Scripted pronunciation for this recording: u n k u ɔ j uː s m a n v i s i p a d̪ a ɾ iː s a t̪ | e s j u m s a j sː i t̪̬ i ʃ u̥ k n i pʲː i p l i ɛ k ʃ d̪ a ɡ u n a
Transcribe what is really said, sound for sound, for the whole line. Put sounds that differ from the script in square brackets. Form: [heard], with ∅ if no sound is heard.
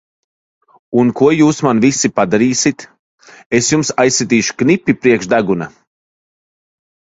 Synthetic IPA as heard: u n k u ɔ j uː s m a n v i s i p a d̪ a ɾ iː s [i] t̪ | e s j u m s a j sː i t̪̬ [iː] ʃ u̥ k n i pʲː i p [ɾ] i ɛ k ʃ d̪ a ɡ u n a